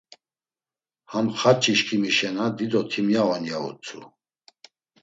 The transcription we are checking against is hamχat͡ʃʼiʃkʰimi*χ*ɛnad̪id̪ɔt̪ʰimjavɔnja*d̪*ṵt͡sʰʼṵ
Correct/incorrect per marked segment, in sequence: incorrect: ʃ, incorrect: none

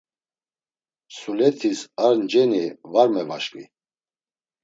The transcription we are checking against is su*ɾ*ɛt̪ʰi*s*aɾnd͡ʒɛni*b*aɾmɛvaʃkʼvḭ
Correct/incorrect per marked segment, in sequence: incorrect: l, correct, incorrect: v

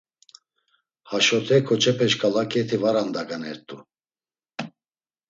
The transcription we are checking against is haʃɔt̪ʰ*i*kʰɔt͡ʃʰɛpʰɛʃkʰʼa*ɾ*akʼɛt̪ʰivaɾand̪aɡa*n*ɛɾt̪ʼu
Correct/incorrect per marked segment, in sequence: incorrect: ɛ, incorrect: l, correct

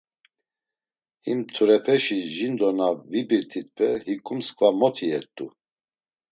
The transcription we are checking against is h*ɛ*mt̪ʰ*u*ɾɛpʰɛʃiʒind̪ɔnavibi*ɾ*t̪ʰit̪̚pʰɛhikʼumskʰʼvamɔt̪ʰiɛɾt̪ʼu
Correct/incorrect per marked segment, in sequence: incorrect: i, correct, correct

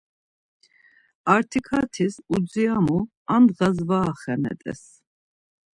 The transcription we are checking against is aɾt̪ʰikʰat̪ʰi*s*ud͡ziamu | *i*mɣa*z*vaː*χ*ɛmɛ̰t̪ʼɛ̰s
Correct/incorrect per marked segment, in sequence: correct, incorrect: a, correct, correct

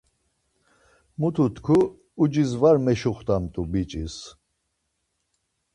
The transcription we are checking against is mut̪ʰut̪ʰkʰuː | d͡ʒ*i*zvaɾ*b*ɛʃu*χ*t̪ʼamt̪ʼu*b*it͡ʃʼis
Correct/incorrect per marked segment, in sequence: correct, incorrect: m, correct, correct

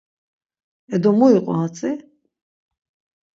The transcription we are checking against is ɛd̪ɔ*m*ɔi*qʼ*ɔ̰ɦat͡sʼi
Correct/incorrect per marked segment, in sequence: correct, correct

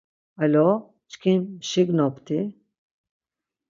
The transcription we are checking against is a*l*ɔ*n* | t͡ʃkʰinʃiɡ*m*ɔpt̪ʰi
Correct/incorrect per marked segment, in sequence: correct, incorrect: none, incorrect: n

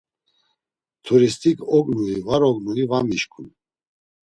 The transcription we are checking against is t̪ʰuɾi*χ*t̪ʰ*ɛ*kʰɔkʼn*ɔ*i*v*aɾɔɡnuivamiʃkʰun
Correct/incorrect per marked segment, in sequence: incorrect: s, incorrect: i, incorrect: u, correct

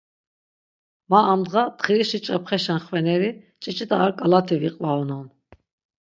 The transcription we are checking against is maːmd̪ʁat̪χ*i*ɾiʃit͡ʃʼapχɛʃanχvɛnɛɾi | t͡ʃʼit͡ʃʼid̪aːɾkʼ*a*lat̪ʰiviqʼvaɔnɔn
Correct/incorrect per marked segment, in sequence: correct, correct

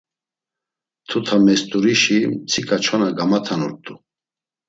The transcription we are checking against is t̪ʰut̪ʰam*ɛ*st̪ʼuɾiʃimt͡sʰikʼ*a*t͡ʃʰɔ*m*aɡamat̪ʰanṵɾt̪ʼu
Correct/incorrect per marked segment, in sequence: correct, correct, incorrect: n

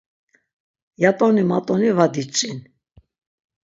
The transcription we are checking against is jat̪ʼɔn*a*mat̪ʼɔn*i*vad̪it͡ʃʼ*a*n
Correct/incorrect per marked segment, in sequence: incorrect: i, correct, incorrect: i

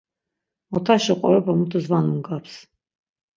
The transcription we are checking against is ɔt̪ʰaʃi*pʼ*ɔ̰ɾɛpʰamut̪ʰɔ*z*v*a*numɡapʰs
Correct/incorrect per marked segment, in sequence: incorrect: qʼ, correct, correct

